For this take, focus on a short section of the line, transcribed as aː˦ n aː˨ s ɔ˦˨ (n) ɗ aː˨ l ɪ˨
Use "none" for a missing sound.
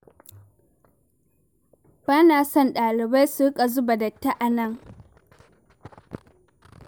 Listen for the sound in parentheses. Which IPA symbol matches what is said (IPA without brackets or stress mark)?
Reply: n